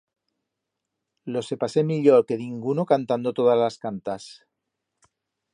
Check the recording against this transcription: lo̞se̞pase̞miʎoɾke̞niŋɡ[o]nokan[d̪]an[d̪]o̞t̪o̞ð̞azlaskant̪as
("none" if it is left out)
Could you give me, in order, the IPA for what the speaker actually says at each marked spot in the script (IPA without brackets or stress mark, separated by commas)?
u, t̪, d̪